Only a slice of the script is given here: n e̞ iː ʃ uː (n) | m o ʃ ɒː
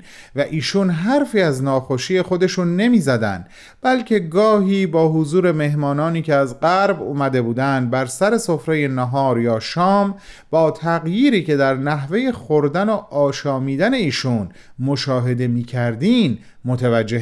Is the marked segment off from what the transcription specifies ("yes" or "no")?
no